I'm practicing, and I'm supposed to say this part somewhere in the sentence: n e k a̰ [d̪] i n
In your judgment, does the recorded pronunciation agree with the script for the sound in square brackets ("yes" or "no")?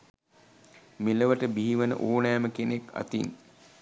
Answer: no